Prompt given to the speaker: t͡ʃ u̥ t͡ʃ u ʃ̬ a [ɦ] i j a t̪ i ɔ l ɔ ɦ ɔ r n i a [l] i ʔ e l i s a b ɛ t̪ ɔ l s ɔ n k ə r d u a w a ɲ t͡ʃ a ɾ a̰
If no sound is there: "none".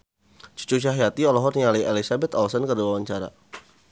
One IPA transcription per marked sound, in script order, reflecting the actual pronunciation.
ɦ, l

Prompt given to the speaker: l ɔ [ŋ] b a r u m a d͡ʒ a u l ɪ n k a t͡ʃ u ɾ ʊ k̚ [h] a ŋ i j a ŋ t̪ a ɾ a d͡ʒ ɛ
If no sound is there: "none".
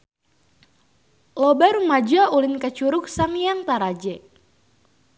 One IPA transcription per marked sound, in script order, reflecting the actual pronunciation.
none, s

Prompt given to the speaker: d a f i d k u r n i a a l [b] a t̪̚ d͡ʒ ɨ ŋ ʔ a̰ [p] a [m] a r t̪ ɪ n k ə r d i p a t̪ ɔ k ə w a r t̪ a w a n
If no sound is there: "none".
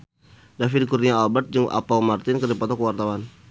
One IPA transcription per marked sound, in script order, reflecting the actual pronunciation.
b, p, m

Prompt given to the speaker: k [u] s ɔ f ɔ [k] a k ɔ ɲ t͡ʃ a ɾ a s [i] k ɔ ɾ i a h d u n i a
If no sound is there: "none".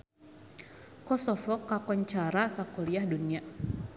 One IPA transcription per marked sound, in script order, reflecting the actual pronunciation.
ɔ, k, a

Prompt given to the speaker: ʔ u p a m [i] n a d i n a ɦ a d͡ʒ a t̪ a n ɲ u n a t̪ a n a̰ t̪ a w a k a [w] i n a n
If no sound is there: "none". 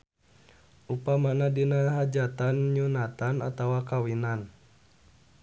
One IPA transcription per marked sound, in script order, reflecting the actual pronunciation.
a, w

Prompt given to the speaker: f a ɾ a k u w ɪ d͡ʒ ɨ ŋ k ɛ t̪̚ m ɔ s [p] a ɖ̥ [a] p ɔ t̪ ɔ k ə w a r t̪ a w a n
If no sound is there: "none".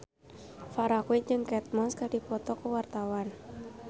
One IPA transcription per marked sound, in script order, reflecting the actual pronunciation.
k, i

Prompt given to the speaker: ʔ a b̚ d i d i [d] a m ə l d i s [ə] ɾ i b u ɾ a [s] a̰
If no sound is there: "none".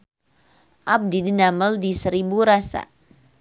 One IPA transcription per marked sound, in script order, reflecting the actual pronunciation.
n, ə, s

